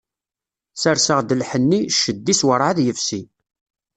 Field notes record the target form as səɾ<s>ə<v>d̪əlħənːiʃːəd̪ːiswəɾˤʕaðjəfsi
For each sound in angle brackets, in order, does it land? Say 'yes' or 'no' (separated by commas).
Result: yes, no